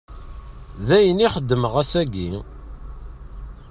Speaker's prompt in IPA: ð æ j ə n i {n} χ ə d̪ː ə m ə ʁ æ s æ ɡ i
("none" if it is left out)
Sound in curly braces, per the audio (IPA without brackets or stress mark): none